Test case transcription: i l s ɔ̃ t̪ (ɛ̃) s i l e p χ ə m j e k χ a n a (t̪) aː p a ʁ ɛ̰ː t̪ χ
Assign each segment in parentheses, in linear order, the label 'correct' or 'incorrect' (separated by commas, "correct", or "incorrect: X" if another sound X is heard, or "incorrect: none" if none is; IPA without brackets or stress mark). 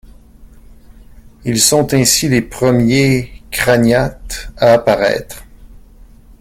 correct, correct